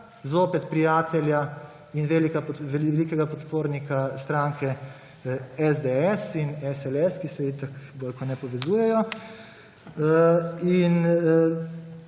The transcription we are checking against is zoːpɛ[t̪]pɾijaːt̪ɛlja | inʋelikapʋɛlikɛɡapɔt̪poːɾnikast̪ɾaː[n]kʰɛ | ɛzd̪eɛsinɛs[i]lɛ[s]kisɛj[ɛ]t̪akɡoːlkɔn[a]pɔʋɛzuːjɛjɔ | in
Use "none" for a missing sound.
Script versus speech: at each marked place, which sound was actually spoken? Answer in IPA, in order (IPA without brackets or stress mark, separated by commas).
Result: t̪, ŋ, ɛ, s, i, ɛ